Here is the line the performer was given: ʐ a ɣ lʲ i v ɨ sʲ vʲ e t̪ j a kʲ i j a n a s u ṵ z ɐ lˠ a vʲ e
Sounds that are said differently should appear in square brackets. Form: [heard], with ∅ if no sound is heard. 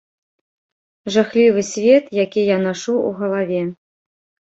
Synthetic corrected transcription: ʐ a [x] lʲ i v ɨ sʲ vʲ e t̪ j a kʲ i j a n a [ʂ] u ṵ [ɣ] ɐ lˠ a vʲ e